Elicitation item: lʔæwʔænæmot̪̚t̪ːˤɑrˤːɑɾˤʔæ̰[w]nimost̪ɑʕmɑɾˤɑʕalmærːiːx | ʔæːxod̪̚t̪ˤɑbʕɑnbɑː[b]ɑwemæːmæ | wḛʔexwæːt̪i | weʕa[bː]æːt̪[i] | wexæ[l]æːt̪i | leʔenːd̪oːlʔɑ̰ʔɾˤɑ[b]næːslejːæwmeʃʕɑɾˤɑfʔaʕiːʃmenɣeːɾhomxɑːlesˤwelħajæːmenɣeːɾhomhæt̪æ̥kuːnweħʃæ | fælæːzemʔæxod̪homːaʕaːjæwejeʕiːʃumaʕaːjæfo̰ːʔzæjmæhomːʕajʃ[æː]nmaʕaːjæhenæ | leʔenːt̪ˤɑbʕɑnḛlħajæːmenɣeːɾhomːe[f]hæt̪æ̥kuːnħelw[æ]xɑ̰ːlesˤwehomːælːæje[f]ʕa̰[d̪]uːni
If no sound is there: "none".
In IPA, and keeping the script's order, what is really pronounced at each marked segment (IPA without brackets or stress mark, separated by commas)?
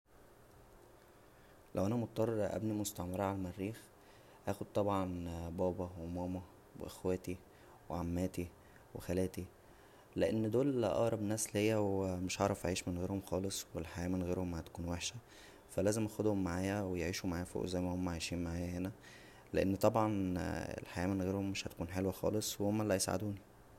b, b, mː, i, l, b, iː, ʃ, æ, s, d̪